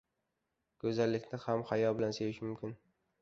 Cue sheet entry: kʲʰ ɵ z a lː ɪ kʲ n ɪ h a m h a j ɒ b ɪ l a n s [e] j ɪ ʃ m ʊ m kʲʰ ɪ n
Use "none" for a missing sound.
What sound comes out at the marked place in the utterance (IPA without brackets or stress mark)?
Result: e